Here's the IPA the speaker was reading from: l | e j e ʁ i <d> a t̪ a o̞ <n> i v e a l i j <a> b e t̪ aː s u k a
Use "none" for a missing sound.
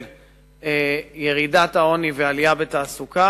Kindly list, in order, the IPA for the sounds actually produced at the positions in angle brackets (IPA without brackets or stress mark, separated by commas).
d, n, a